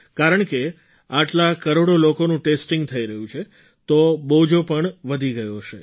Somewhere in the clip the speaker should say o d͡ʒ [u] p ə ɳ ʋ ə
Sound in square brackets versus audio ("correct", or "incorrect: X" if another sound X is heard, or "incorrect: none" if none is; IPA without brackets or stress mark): incorrect: o